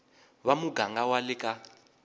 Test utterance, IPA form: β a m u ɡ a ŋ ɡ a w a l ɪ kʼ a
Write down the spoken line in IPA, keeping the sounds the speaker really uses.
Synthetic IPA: β a m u ɡ a ŋ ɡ a w a l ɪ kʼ a